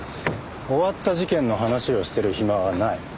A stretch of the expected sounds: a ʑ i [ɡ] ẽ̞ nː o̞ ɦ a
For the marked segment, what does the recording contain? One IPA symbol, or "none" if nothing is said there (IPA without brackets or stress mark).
k